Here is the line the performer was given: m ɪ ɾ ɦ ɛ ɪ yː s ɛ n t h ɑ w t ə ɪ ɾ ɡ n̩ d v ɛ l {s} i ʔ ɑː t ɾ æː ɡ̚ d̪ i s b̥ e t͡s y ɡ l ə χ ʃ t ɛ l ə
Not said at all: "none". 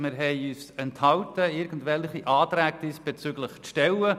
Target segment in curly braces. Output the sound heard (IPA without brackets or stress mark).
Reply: χ